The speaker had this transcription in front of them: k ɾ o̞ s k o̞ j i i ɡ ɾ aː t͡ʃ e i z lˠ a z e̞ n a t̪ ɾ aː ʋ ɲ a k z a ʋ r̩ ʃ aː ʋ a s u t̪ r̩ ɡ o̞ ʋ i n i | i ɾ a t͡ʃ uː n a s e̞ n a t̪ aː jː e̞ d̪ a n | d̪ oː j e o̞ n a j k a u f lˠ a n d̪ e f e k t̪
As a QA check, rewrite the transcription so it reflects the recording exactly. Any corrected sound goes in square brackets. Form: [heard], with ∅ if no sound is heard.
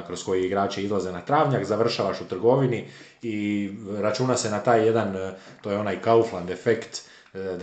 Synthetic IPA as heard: k ɾ o̞ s k o̞ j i i ɡ ɾ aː t͡ʃ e i z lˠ a z e̞ n a t̪ ɾ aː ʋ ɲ a k z a ʋ r̩ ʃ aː ʋ a [ʃ] u t̪ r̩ ɡ o̞ ʋ i n i | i ɾ a t͡ʃ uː n a s e̞ n a t̪ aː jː e̞ d̪ a n | [t̪] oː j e o̞ n a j k a u f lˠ a n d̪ e f e k t̪